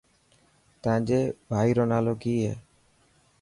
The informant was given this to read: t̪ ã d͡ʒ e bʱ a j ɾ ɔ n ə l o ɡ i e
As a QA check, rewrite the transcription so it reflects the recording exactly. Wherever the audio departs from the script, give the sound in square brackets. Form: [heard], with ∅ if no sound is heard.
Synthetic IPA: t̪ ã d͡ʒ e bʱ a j ɾ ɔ n [a] l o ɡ i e